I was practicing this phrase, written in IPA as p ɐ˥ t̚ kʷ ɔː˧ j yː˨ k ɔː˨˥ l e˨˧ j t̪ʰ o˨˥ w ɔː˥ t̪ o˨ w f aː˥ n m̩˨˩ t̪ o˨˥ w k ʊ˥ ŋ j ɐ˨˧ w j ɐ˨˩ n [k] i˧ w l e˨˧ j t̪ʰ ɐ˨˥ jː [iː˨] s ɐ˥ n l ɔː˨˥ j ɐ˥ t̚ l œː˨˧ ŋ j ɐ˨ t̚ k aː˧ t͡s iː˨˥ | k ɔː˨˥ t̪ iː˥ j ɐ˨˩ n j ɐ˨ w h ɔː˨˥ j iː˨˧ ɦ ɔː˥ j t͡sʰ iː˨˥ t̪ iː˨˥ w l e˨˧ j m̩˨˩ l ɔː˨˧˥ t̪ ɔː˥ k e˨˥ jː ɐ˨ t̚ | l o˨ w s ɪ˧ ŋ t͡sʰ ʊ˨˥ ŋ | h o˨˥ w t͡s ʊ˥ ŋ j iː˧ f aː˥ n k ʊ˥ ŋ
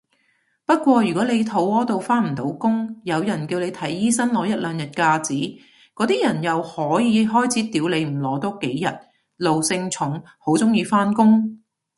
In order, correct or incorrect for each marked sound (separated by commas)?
correct, incorrect